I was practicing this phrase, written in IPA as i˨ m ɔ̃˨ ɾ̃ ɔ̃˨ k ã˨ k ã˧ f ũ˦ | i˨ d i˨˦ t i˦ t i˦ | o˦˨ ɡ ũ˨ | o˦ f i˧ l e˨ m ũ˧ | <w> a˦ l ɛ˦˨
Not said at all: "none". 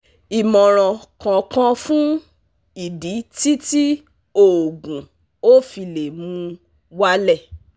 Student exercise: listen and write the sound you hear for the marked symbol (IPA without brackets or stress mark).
w